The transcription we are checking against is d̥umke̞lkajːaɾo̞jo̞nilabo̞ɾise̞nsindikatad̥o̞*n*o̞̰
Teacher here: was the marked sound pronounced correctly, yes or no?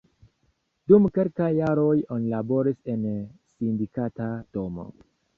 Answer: no